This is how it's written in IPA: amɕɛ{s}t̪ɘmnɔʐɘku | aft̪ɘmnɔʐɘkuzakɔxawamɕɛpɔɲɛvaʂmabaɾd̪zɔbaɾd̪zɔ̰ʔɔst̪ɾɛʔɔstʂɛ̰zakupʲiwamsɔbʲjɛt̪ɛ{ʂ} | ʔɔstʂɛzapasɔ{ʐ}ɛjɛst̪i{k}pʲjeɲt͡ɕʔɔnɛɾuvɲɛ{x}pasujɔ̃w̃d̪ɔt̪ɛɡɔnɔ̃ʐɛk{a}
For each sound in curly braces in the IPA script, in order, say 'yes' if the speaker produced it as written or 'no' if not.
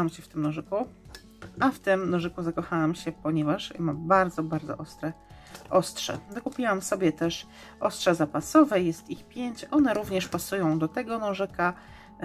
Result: no, yes, no, no, no, yes

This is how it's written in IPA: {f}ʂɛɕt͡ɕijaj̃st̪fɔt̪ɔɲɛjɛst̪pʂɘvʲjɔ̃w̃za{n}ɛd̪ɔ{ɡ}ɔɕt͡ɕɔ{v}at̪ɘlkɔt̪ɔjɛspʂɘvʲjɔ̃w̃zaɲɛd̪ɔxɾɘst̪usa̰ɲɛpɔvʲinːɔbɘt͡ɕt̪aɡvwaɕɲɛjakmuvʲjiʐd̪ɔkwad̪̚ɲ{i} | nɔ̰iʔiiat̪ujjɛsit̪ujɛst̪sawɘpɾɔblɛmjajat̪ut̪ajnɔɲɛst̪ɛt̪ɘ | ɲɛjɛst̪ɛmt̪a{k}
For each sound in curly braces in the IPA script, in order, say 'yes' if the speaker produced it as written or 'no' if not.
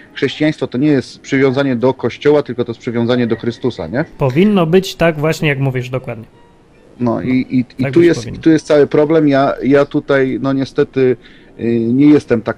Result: no, no, no, no, no, yes

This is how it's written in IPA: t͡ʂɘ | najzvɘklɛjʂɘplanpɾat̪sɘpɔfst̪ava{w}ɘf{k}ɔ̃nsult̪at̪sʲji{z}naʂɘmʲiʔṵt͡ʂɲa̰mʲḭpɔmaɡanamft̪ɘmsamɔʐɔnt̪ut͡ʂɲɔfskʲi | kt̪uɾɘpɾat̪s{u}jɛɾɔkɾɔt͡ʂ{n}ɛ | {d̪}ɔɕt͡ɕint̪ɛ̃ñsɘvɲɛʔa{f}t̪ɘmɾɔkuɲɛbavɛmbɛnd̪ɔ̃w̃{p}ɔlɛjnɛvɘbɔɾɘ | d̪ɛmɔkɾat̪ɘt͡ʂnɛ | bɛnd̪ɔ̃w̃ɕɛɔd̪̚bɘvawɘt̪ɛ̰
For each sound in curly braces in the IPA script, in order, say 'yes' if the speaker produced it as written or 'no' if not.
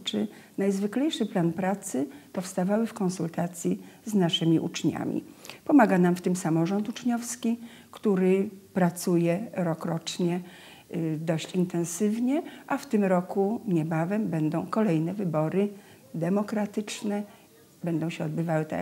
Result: yes, yes, yes, yes, no, yes, yes, no

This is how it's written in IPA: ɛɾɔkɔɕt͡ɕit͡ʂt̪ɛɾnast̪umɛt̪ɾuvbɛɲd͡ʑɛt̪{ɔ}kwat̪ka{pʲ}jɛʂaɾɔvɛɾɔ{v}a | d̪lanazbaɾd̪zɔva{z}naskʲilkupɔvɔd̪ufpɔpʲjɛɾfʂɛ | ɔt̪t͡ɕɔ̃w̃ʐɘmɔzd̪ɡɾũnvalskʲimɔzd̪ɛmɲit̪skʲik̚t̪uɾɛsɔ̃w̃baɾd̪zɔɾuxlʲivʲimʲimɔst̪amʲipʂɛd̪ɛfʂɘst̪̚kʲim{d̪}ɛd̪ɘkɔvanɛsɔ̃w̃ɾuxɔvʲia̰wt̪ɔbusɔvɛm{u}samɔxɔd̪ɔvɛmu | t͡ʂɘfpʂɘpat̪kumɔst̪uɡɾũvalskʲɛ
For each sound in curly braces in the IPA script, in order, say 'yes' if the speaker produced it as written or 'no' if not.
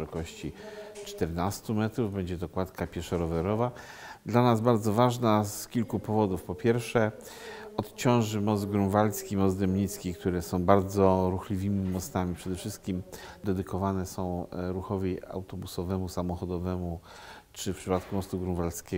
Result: yes, yes, yes, no, yes, yes

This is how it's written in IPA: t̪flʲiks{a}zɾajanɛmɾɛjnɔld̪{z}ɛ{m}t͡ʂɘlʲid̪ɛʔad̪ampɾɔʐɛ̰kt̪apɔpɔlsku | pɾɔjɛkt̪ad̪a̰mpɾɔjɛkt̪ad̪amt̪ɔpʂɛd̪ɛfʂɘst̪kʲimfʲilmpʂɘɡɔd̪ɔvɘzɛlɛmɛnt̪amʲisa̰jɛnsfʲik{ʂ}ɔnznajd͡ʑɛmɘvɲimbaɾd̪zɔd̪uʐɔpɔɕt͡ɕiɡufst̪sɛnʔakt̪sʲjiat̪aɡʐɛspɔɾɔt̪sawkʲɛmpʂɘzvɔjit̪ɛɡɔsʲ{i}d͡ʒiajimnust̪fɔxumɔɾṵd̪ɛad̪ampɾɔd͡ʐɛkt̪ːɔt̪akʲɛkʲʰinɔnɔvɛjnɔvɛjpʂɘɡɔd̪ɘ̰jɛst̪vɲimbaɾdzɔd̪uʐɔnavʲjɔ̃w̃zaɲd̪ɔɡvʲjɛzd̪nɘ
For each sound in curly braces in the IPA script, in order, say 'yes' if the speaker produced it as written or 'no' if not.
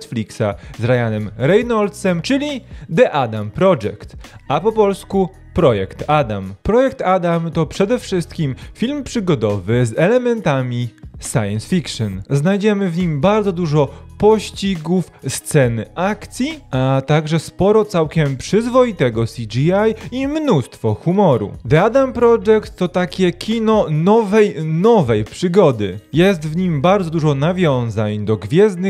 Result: yes, no, yes, yes, yes

